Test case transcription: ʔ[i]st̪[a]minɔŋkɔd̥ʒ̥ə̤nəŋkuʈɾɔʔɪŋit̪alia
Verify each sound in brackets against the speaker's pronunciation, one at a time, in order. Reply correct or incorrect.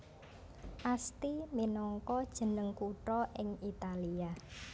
incorrect, incorrect

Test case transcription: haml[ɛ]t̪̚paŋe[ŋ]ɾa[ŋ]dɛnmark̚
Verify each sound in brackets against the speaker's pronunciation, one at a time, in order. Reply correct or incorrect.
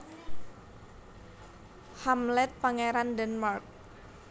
correct, incorrect, incorrect

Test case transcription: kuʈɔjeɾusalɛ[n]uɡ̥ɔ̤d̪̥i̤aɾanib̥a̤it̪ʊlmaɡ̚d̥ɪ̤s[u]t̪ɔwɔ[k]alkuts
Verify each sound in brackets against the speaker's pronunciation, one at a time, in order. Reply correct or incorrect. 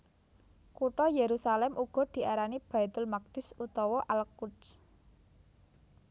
incorrect, correct, incorrect

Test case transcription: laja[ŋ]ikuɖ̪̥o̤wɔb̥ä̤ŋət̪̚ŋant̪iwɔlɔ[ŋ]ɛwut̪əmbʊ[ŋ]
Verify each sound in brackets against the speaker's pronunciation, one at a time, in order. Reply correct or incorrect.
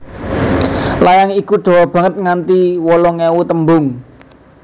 correct, correct, correct

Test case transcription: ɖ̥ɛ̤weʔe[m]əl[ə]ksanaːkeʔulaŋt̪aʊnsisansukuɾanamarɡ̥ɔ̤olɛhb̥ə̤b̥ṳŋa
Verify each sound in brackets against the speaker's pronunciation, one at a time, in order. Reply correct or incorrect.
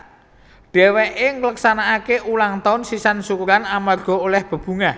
incorrect, correct

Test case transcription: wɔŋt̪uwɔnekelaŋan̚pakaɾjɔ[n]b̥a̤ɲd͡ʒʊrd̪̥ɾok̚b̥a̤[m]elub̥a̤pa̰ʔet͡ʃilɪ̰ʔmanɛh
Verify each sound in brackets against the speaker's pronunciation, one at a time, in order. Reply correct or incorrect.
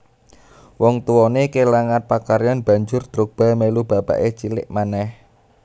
correct, correct

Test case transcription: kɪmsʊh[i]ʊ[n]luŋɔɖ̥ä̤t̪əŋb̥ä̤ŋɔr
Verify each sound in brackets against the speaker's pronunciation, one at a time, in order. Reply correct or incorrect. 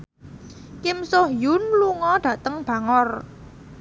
incorrect, correct

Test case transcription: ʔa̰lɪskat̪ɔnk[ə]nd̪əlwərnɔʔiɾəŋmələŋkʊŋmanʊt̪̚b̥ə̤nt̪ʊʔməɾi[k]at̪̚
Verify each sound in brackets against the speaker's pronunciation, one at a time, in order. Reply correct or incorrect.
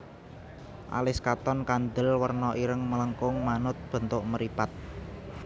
incorrect, incorrect

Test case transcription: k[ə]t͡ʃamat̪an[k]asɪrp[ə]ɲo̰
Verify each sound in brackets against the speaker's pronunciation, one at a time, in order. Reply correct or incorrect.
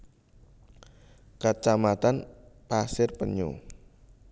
incorrect, incorrect, correct

